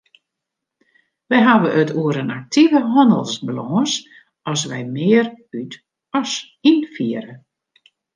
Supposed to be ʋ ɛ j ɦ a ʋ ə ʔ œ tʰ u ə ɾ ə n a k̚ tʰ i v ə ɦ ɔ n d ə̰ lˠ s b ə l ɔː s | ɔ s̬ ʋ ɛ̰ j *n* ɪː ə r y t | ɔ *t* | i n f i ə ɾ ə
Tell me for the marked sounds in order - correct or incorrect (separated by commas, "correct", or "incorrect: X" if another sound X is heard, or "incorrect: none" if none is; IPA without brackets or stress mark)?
incorrect: m, incorrect: s